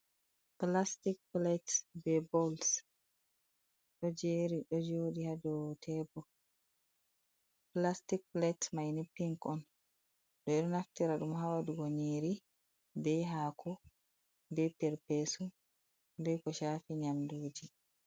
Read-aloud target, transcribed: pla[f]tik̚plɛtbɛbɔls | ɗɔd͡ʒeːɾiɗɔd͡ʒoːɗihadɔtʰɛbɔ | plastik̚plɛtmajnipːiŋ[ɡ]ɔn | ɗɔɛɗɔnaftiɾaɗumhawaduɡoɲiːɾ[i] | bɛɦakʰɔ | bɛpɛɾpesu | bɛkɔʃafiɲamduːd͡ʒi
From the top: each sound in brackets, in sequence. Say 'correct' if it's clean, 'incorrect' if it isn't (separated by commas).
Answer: incorrect, incorrect, correct